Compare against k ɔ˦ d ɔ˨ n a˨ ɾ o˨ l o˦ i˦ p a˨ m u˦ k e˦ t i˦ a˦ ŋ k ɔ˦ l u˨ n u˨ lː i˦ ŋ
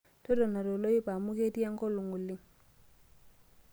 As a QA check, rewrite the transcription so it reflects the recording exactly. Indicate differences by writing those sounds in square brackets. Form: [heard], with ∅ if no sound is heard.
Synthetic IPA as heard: [t] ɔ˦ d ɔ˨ n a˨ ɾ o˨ l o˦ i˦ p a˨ m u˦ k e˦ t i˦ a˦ ŋ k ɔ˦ l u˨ [ŋ] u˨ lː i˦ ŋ